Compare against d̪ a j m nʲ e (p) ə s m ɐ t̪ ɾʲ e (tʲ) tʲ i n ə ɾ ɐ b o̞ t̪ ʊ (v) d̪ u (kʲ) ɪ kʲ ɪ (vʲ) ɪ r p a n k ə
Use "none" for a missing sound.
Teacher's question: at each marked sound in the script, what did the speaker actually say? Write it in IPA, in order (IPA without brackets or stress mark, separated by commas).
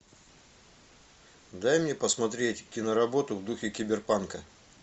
p, tʲ, v, xʲ, bʲ